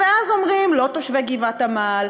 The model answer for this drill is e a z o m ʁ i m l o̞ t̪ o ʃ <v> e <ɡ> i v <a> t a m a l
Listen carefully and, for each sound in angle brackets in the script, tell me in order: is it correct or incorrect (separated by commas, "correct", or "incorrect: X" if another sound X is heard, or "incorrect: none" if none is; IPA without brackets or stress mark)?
correct, correct, correct